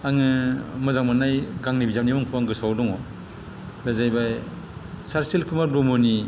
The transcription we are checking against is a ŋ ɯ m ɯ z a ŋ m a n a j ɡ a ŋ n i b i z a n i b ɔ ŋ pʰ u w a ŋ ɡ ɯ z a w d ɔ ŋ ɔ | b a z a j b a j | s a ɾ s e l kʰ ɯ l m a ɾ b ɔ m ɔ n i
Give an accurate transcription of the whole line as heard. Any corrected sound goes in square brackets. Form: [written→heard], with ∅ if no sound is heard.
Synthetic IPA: a ŋ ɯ m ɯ z a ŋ m a n a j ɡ a ŋ n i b i z a n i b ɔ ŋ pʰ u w a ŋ ɡ ɯ [z→s] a w d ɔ ŋ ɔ | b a z a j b a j | s a ɾ s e l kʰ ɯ [l→∅] m a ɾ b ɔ m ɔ n i